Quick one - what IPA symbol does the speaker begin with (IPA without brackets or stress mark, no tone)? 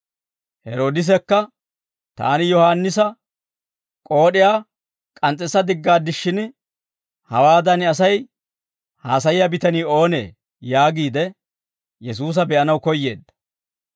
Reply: h